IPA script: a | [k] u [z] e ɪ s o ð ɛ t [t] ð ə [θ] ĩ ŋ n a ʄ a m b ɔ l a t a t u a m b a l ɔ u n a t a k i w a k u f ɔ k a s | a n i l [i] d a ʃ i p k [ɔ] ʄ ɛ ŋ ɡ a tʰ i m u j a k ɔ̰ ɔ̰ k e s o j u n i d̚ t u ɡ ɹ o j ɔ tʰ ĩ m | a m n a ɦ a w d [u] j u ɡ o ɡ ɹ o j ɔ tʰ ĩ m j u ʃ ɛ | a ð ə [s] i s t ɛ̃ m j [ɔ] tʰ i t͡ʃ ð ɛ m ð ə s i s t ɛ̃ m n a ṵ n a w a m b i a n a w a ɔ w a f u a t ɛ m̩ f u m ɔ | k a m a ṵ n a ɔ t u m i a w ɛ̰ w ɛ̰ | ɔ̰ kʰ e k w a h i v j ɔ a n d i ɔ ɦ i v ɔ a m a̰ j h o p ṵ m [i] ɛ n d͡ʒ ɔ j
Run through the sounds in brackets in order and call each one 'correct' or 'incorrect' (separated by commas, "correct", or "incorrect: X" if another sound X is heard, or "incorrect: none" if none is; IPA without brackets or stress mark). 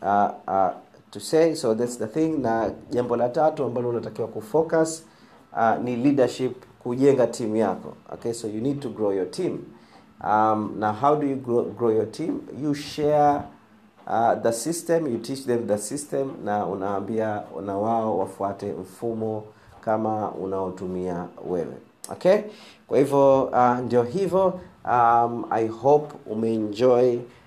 incorrect: t, incorrect: s, incorrect: s, correct, correct, incorrect: u, correct, correct, incorrect: u, incorrect: ɛ